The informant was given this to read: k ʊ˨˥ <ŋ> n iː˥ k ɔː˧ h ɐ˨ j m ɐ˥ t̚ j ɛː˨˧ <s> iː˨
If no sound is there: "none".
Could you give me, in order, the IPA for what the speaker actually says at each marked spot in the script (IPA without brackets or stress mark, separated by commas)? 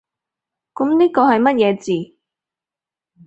m, t͡s